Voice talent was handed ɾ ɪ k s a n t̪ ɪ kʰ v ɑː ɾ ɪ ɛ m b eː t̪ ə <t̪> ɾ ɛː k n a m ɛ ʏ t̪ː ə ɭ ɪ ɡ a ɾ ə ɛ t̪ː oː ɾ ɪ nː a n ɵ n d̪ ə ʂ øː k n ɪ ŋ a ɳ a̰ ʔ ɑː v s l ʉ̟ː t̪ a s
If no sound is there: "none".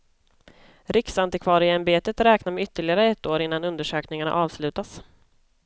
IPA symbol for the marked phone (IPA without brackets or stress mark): t̪